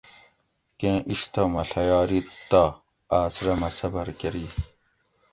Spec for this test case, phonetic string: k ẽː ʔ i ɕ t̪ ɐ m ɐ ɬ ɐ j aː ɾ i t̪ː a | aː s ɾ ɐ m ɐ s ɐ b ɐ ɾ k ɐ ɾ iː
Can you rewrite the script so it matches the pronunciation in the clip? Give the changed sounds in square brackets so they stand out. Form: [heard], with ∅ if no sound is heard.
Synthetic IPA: k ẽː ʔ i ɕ t̪ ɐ m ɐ ɬ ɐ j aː ɾ i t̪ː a | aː s ɾ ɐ m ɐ s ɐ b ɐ ɾ k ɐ ɾ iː